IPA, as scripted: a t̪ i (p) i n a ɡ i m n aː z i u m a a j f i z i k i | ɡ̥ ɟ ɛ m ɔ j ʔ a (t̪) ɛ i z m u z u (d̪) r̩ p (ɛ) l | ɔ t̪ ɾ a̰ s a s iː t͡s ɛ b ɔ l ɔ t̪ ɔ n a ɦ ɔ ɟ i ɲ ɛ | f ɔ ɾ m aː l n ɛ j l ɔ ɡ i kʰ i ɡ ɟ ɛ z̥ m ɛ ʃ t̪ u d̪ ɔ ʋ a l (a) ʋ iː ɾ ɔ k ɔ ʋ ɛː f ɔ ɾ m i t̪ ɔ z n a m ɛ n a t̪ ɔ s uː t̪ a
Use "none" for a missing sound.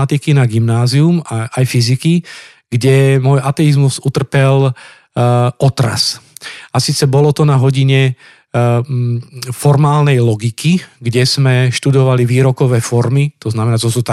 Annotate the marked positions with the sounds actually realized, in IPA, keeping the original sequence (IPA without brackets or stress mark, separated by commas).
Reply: k, t̪, t̪, ɛ, i